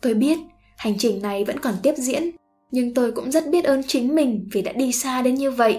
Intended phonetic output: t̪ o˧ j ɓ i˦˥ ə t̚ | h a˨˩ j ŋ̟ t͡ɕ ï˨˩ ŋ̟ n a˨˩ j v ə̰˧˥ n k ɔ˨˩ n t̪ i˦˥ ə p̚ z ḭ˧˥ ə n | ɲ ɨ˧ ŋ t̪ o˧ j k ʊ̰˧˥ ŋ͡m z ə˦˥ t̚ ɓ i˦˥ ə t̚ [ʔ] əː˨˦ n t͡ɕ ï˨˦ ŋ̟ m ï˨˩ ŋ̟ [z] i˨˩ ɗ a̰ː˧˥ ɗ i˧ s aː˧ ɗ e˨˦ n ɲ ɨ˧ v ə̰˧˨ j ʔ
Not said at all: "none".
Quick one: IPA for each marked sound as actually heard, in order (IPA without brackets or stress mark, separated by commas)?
ʔ, v